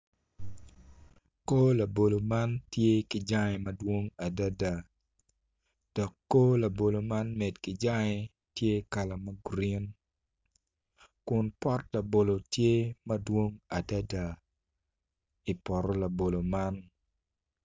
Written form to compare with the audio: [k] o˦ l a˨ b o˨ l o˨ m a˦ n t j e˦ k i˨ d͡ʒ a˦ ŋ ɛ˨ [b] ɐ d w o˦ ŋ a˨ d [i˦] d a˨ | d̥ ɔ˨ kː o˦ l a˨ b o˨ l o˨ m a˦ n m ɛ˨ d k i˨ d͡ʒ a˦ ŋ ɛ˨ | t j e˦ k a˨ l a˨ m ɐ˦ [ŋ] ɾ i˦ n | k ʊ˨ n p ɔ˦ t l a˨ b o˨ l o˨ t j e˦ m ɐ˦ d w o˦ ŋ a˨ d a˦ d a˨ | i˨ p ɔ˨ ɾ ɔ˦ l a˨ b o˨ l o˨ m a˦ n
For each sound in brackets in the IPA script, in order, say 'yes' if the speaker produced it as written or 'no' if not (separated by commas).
yes, no, no, no